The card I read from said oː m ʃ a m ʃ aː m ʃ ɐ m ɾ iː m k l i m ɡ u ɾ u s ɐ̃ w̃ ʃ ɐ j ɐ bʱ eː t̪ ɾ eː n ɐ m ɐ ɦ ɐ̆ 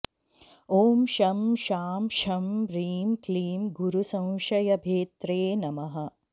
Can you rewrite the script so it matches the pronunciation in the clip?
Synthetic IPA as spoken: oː m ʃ ɐ m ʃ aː m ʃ ɐ m ɾ iː m k l iː m ɡ u ɾ u s ɐ̃ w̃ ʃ ɐ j ɐ bʱ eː t̪ ɾ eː n ɐ m ɐ ɦ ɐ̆